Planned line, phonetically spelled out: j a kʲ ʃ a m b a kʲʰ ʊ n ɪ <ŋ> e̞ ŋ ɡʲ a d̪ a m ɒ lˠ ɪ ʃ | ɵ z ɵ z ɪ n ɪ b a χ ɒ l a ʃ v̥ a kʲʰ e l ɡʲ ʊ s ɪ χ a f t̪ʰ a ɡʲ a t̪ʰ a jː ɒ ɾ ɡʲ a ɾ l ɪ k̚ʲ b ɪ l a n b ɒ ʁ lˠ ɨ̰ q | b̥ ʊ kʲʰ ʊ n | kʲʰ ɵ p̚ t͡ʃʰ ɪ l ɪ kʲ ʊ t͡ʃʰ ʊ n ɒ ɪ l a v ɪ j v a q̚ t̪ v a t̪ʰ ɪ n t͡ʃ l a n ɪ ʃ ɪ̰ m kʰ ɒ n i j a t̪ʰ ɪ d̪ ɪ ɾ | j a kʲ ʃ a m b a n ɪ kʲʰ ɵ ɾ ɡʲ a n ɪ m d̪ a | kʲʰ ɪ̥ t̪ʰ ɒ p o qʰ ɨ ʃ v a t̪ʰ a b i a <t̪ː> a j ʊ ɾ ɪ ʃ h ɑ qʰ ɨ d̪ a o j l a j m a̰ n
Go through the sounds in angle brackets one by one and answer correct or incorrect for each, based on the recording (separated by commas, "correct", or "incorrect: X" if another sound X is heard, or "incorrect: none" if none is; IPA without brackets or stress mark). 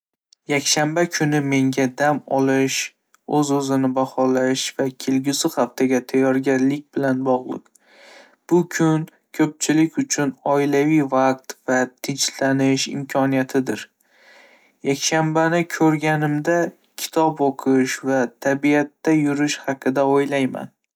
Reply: incorrect: m, correct